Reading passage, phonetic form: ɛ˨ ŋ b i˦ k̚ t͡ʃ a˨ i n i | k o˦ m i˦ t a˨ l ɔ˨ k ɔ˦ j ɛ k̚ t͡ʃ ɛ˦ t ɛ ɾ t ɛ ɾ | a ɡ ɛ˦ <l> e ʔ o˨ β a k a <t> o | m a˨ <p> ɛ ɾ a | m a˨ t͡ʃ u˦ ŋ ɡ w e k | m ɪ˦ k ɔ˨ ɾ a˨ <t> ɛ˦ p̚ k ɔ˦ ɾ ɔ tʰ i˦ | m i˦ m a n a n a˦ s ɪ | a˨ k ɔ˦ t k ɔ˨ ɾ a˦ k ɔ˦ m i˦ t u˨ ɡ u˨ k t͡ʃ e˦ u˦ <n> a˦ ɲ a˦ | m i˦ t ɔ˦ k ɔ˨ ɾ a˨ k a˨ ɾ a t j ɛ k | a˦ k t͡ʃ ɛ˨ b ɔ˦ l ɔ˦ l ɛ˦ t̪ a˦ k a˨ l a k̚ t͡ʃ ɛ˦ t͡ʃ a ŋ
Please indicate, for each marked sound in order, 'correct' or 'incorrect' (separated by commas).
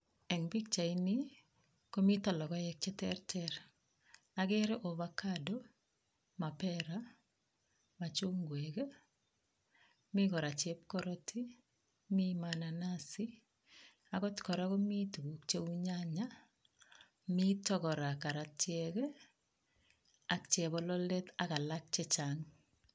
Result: incorrect, incorrect, correct, incorrect, incorrect